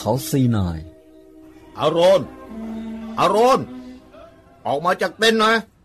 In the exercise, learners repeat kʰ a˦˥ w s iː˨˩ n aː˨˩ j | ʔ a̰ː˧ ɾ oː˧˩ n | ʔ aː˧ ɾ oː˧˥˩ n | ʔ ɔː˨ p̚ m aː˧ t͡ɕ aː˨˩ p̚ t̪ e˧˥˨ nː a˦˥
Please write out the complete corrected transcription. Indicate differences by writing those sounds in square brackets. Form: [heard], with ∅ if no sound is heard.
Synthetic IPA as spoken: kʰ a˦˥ w s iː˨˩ n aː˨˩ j | ʔ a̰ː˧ ɾ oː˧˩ n | ʔ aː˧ ɾ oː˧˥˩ n | ʔ ɔː˨ [k̚] m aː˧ t͡ɕ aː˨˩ [k̚] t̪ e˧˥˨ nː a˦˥